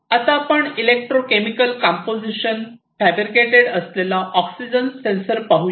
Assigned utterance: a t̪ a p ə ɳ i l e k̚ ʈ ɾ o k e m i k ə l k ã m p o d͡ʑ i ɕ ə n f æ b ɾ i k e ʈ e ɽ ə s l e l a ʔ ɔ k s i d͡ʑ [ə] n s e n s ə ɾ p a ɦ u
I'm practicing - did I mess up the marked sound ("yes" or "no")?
no